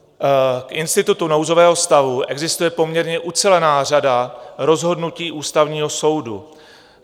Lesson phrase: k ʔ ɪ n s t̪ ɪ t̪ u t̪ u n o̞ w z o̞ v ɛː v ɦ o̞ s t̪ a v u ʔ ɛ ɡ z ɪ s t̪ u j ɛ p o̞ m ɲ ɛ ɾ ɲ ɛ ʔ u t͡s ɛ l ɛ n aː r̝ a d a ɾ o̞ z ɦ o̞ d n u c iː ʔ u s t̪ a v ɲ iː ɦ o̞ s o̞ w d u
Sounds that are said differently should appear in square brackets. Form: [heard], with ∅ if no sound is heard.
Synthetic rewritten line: k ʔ ɪ n s t̪ ɪ t̪ u t̪ u n o̞ w z o̞ v ɛː [∅] ɦ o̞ s t̪ a v u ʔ ɛ ɡ z ɪ s t̪ u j ɛ p o̞ m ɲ ɛ ɾ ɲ ɛ ʔ u t͡s ɛ l ɛ n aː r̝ a d a ɾ o̞ z ɦ o̞ d n u c iː ʔ [uː] s t̪ a v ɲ iː ɦ o̞ s o̞ w d u